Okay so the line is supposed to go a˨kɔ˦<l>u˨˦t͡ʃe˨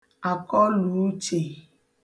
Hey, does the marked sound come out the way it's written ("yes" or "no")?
yes